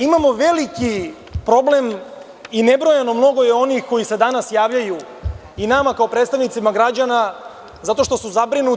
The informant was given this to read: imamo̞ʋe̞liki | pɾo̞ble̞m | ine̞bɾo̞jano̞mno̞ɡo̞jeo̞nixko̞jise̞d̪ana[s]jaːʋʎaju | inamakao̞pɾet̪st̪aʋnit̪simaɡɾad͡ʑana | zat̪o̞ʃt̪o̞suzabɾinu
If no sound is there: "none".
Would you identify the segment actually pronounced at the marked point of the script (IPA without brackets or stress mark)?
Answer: s